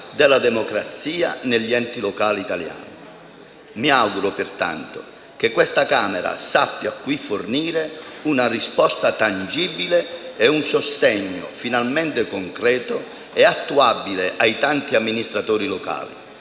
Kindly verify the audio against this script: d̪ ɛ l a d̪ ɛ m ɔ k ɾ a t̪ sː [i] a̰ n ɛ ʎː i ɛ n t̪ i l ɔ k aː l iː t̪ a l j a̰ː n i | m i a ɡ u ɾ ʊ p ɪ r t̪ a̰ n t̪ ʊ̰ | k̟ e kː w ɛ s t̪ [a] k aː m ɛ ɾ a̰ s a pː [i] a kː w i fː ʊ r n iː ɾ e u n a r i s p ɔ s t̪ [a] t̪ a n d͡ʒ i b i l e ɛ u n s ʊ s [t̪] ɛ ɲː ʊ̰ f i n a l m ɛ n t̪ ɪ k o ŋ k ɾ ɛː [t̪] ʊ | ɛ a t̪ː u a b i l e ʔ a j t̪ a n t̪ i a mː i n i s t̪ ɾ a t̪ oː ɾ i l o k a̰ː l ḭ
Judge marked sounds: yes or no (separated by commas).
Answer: no, yes, no, yes, yes, yes